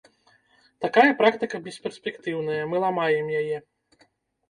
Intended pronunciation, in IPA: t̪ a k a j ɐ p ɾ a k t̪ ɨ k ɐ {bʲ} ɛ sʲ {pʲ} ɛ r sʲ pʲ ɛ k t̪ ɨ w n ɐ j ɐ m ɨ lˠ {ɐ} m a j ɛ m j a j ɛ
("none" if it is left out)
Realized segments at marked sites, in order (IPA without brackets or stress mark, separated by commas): bʲ, pʲ, a